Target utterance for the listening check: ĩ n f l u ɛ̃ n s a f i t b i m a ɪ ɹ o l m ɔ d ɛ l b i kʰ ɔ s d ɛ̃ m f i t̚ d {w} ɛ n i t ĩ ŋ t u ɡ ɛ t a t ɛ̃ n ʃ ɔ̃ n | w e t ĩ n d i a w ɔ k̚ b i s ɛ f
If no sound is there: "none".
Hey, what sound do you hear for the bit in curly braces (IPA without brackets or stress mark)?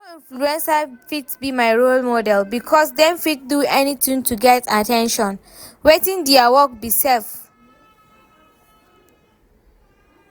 u